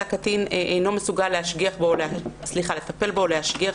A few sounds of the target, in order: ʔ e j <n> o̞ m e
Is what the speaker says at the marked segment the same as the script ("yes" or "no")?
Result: yes